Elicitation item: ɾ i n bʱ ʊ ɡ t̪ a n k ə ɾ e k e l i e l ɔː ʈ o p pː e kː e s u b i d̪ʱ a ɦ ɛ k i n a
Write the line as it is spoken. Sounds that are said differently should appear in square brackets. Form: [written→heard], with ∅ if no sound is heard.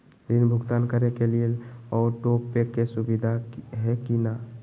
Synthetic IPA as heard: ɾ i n bʱ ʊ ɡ t̪ a n k ə ɾ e k e l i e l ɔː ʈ o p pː e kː e s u b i d̪ʱ a ɦ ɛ k i n a